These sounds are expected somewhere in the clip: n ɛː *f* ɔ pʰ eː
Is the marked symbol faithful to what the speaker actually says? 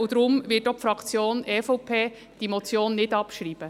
yes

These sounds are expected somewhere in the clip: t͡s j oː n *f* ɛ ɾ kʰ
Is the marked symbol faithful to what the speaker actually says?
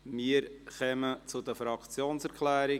no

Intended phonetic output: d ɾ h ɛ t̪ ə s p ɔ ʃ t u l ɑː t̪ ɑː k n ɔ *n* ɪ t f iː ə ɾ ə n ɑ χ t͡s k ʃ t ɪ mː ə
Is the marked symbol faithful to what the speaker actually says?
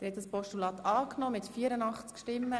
no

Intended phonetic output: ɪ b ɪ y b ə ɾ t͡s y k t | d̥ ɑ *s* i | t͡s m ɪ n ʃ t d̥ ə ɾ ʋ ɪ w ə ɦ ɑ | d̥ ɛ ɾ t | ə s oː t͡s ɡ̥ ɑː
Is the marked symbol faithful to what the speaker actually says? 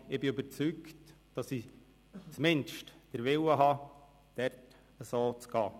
yes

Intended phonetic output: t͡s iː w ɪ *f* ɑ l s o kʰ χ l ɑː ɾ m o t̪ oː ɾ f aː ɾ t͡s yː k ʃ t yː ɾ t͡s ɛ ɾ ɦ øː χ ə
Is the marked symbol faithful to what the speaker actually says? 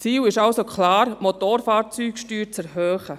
no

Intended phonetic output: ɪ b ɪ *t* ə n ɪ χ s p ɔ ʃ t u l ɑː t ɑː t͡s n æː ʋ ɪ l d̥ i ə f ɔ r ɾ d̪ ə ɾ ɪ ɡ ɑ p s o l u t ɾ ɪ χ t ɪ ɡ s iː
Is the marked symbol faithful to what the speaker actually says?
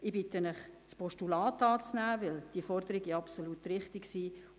yes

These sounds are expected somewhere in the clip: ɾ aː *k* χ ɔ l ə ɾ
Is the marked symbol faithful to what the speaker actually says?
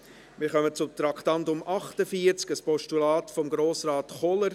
no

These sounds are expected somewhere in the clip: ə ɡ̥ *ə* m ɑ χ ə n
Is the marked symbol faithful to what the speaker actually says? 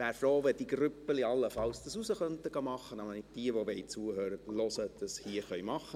no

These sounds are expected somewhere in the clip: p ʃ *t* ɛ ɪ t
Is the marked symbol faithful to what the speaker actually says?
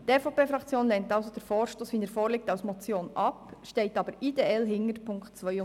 yes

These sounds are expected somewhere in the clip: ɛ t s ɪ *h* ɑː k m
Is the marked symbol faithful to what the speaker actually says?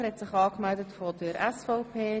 no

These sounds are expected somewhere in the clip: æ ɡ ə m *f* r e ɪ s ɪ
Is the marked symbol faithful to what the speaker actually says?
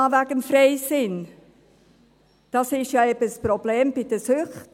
yes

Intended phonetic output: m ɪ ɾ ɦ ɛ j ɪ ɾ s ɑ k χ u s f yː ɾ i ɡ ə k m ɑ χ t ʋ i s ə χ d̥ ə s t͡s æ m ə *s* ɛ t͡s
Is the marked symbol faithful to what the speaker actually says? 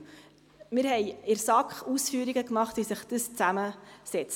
yes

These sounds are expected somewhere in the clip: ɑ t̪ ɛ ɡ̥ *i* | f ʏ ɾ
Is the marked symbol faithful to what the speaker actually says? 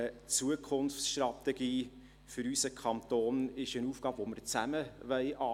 no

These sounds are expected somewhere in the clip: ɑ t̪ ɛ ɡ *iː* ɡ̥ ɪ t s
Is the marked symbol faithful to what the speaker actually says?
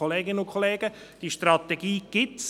yes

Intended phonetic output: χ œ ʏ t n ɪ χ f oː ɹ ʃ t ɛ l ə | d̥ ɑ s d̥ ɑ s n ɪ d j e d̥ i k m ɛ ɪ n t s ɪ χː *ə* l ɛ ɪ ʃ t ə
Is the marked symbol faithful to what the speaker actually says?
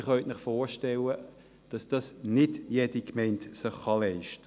no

